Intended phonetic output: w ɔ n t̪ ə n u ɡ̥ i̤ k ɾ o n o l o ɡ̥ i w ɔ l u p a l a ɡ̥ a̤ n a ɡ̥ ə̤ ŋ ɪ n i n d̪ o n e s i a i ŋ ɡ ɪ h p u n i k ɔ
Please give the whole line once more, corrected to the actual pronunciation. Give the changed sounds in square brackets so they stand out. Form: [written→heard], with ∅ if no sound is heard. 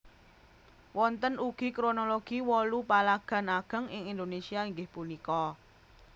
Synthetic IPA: w ɔ n t̪ ə n u ɡ̥ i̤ k ɾ o n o l o ɡ̥ i w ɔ l u p a l a ɡ̥ a̤ n a ɡ̥ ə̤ ŋ ɪ [n→ŋ] i n d̪ o n e s i a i ŋ ɡ ɪ h p u n i k ɔ